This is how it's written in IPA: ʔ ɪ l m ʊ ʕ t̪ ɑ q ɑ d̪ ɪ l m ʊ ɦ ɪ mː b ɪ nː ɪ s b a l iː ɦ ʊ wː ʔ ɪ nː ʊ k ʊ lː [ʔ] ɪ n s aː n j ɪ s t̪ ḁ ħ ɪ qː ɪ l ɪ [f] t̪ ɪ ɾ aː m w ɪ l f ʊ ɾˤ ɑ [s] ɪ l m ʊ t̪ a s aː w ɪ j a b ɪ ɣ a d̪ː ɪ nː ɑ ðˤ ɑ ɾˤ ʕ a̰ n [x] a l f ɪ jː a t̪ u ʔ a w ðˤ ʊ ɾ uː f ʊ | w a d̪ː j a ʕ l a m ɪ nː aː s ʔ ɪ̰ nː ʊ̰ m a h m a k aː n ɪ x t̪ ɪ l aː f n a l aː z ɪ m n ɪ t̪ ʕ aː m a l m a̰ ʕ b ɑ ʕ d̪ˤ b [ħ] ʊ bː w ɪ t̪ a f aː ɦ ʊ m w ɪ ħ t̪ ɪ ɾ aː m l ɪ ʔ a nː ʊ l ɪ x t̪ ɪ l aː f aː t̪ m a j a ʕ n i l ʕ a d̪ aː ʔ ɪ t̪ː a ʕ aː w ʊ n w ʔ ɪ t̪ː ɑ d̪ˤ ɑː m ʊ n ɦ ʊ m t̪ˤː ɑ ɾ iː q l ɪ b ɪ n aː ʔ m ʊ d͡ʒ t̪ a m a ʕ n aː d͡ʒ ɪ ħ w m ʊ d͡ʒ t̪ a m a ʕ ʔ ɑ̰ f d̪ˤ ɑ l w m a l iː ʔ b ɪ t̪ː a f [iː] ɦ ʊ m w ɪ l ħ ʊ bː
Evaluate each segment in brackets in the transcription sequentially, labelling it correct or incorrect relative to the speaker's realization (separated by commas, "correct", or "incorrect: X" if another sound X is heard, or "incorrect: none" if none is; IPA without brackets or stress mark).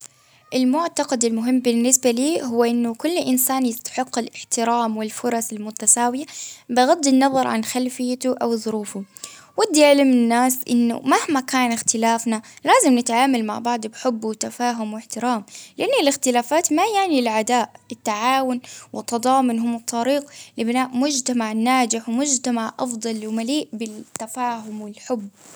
correct, incorrect: ħ, correct, correct, correct, incorrect: aː